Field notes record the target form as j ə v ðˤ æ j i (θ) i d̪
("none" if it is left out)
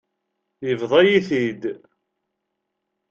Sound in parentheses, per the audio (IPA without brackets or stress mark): θ